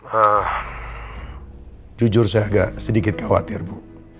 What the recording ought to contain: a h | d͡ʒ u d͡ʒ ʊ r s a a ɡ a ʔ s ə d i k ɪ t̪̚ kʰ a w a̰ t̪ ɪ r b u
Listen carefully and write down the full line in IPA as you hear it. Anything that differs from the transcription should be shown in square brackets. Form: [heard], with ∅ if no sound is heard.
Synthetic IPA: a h | d͡ʒ u d͡ʒ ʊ r s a a ɡ a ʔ s ə d i k ɪ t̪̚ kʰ a w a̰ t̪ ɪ r b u